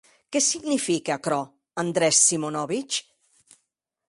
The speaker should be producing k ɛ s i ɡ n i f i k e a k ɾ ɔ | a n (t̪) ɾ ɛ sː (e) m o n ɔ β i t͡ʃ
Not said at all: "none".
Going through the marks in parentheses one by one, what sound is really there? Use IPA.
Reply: d̪, i

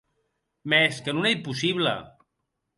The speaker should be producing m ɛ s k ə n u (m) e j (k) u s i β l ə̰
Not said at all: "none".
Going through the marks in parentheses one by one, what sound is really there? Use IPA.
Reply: n, p

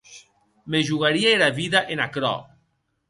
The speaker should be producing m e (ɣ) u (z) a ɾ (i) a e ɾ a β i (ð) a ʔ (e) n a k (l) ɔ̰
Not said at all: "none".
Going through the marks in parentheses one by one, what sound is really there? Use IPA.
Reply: ʒ, ɣ, i, ð, e, ɾ

